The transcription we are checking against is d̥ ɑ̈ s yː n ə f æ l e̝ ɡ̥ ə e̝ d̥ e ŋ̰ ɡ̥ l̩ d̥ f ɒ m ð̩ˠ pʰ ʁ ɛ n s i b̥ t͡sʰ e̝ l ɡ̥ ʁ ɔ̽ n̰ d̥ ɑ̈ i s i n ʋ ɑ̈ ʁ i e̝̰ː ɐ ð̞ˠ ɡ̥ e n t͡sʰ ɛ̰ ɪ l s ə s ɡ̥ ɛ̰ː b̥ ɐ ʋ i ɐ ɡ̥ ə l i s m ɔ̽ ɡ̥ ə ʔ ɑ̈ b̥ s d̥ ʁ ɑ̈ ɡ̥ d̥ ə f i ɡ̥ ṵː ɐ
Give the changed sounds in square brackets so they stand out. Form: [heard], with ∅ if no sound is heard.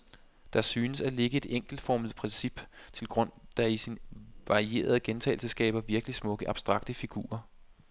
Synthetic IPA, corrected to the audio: d̥ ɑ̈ s yː n ə [s] æ l e̝ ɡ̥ ə e̝ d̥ e ŋ̰ ɡ̥ l̩ d̥ f ɒ m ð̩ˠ pʰ ʁ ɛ n s i b̥ t͡sʰ e̝ l ɡ̥ ʁ ɔ̽ n̰ d̥ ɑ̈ i s i n ʋ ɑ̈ ʁ i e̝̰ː ɐ ð̞ˠ ɡ̥ e n t͡sʰ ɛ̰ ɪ l s ə s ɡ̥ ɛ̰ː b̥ ɐ ʋ i ɐ ɡ̥ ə l i s m ɔ̽ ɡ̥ ə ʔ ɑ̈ b̥ s d̥ ʁ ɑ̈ ɡ̥ d̥ ə f i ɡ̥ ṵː ɐ